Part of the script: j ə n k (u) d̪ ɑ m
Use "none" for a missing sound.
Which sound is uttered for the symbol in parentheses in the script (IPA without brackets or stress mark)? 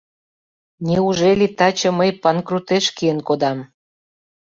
o